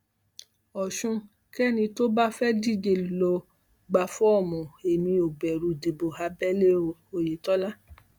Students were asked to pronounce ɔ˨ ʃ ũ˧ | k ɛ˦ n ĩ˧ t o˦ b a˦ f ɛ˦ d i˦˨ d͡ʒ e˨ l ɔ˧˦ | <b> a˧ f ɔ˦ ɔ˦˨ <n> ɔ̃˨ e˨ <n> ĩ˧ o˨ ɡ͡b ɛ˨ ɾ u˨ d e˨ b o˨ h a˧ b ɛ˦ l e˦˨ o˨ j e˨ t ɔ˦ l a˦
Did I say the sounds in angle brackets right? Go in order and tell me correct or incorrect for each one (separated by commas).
incorrect, incorrect, incorrect